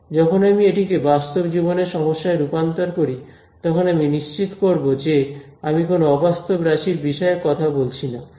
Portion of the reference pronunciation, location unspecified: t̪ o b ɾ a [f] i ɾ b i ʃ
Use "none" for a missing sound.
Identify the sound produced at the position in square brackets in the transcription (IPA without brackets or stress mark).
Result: ʃ